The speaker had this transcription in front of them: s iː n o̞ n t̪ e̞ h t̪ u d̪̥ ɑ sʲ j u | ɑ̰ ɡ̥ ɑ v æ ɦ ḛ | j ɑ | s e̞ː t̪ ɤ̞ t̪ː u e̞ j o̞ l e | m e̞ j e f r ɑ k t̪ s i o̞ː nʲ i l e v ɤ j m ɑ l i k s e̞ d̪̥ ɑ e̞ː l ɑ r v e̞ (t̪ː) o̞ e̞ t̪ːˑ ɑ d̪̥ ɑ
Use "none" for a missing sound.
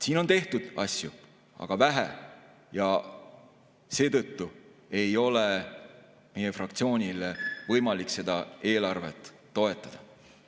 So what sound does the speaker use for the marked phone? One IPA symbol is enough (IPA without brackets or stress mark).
t̪ː